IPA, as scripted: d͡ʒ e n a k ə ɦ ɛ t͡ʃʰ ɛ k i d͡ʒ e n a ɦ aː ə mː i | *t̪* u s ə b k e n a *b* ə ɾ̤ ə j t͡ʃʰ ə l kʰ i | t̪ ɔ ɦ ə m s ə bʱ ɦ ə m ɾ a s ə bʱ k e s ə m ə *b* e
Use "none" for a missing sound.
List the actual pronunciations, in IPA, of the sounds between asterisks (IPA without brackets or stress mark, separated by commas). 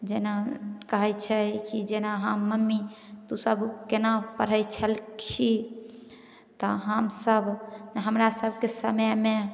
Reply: t̪, p, m